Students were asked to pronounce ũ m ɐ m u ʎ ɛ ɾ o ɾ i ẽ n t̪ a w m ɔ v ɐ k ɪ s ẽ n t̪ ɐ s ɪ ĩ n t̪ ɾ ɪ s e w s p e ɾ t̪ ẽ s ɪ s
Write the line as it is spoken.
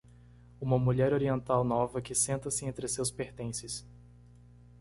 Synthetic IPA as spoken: ũ m ɐ m u ʎ ɛ ɾ o ɾ i ẽ n t̪ a w n ɔ v ɐ k ɪ s ẽ n t̪ ɐ s ɪ ẽ n t̪ ɾ ɪ s e w s p e ɾ t̪ ẽ s ɪ s